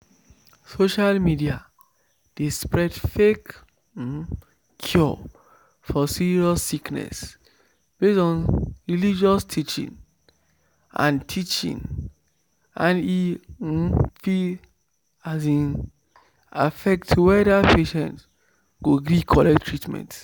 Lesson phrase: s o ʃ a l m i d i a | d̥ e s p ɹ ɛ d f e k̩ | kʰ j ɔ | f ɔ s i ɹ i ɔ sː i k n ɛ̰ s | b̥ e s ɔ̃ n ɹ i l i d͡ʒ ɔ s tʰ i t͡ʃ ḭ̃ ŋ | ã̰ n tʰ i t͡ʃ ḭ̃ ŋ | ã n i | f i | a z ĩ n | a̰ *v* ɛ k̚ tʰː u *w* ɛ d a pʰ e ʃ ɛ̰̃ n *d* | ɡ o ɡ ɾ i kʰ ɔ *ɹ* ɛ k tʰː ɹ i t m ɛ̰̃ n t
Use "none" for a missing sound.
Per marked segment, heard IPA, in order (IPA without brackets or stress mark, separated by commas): f, w, t, l